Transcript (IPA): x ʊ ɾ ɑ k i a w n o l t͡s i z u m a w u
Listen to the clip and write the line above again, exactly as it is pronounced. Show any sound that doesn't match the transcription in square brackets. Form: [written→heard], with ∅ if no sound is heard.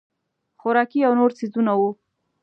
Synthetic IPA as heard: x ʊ ɾ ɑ k i a w n o [l→ɾ] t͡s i z u [m→n] a w u